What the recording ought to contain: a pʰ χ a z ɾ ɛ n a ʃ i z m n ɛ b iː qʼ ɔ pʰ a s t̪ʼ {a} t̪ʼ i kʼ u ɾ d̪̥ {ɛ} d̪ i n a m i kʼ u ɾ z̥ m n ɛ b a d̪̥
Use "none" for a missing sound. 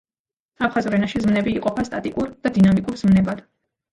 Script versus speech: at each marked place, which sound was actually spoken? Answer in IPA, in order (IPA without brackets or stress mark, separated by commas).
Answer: a, a